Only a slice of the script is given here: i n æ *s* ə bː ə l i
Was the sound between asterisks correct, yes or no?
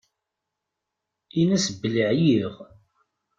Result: yes